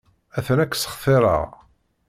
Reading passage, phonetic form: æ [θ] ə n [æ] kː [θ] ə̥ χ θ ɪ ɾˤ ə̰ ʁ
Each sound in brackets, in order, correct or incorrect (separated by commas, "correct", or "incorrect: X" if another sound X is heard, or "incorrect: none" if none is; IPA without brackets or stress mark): correct, correct, incorrect: s